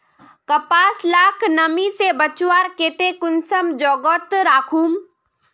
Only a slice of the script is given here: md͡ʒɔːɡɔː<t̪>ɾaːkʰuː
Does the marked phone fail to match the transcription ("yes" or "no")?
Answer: no